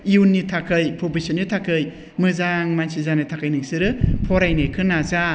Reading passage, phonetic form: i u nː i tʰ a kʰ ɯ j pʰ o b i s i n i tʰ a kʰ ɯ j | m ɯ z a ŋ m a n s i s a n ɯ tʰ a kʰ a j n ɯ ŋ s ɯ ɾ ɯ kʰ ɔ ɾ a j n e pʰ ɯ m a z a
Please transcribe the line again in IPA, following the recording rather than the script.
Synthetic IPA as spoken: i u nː i tʰ a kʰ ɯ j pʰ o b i s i n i tʰ a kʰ ɯ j | m ɯ z a ŋ m a n s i z a n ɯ tʰ a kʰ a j n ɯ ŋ s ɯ ɾ ɯ pʰ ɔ ɾ a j n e kʰ ɯ n a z a